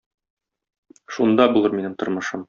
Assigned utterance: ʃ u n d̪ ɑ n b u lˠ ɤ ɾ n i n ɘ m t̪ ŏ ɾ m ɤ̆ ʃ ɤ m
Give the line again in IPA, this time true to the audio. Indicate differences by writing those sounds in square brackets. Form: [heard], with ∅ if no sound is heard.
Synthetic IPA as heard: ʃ u n d̪ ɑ [∅] b u lˠ ɤ ɾ [m] i n ɘ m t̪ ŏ ɾ m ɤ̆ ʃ ɤ m